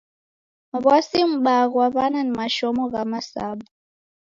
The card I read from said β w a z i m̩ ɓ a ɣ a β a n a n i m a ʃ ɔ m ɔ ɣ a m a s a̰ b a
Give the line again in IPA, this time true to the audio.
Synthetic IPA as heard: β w a s i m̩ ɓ a ɣ a β a n a n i m a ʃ ɔ m ɔ ɣ a m a s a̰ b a